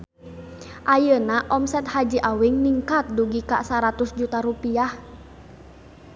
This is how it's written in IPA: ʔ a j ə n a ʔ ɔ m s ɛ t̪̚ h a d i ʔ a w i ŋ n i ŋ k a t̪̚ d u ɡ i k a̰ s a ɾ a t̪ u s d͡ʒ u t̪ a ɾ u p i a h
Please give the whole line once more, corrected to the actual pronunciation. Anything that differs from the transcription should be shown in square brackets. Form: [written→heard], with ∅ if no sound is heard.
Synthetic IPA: ʔ a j ə n a ʔ ɔ m s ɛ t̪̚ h a [d→d͡ʒ] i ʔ a w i ŋ n i ŋ k a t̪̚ d u ɡ i k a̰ s a ɾ a t̪ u s d͡ʒ u t̪ a ɾ u p i a h